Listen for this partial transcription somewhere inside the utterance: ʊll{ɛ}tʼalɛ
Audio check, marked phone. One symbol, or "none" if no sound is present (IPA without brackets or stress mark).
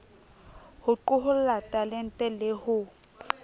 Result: a